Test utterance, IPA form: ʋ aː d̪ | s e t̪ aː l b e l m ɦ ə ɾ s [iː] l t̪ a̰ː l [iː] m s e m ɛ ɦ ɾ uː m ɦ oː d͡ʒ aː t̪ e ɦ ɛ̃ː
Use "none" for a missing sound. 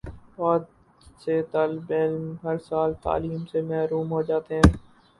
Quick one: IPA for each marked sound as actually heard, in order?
aː, iː

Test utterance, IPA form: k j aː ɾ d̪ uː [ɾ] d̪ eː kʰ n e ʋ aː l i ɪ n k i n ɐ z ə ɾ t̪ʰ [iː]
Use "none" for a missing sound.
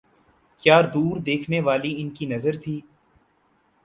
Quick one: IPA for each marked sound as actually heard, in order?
ɾ, iː

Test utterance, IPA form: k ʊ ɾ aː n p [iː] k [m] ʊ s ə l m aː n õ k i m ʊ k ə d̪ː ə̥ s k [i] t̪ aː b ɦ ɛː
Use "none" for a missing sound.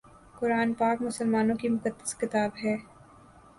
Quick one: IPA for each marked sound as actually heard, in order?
aː, m, ɪ

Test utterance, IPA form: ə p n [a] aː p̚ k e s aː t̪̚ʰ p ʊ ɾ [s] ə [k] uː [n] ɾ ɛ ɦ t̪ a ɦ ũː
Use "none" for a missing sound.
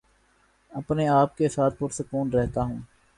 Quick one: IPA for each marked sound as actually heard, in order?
e, s, k, n

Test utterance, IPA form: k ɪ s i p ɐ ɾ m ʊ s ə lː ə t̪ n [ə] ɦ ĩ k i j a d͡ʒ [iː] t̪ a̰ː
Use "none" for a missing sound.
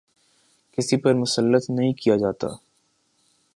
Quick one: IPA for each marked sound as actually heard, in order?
ɐ, aː

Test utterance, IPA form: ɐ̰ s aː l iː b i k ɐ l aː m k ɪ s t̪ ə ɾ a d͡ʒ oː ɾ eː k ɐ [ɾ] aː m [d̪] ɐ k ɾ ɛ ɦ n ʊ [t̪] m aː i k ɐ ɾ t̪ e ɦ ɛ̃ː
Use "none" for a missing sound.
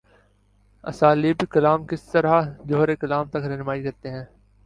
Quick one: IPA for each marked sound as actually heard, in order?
l, t̪, none

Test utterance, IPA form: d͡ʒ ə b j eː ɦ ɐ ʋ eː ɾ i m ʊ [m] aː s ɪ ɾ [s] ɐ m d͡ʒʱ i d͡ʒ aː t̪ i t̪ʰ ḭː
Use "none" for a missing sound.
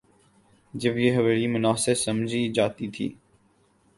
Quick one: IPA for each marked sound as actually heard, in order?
n, s

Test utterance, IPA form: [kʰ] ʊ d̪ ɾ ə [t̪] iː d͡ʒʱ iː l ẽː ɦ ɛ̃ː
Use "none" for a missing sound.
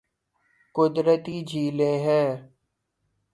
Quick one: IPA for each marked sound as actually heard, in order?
k, t̪

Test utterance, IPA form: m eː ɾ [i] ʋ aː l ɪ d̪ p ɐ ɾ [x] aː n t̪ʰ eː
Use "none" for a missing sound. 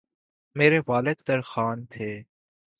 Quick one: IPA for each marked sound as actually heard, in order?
e, x

